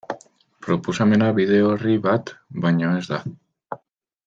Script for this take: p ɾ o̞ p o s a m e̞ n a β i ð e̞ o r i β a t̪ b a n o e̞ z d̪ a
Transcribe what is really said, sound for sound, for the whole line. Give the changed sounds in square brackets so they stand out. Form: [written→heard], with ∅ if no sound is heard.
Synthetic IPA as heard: p ɾ o̞ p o s a m e̞ n a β i ð e̞ o r i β a t̪ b a [n→ɲ] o e̞ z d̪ a